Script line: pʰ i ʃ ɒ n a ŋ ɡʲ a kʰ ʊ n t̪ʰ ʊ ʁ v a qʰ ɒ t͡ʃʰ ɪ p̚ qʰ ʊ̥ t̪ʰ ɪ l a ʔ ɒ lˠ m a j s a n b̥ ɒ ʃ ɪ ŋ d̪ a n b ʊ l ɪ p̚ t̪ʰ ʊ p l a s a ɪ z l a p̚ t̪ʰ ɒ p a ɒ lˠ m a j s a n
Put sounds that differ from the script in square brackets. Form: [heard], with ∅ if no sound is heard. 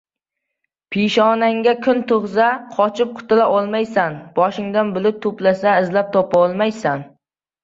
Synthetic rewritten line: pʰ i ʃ ɒ n a ŋ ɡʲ a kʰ ʊ n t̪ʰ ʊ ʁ [z] a qʰ ɒ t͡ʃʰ ɪ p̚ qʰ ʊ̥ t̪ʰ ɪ l a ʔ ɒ lˠ m a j s a n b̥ ɒ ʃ ɪ ŋ d̪ a n b ʊ l ɪ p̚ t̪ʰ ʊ p l a s a ɪ z l a p̚ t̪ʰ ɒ p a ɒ lˠ m a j s a n